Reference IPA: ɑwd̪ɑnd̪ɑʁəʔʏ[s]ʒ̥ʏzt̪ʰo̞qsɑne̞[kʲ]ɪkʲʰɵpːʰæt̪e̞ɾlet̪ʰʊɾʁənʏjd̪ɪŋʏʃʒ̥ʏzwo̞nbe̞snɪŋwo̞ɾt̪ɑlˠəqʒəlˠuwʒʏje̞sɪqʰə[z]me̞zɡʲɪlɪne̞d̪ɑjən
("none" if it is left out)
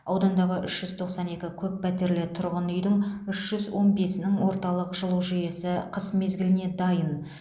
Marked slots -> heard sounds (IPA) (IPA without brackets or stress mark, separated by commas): ʃ, kʲ, s